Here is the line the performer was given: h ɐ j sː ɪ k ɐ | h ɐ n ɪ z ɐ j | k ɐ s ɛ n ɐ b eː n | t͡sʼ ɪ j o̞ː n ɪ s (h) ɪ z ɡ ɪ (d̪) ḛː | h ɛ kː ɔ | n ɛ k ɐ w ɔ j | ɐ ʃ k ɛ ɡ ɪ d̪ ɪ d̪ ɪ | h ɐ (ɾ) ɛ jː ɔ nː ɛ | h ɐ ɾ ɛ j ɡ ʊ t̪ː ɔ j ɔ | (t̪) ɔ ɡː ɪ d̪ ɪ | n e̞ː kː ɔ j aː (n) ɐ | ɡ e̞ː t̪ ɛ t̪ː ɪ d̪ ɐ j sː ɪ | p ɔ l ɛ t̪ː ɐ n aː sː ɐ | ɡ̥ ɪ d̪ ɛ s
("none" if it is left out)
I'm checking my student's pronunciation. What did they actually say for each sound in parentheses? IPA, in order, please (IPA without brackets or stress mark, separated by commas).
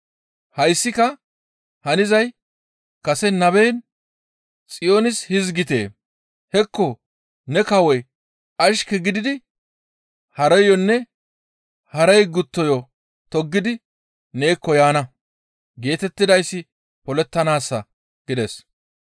h, t̪, ɾ, t̪, n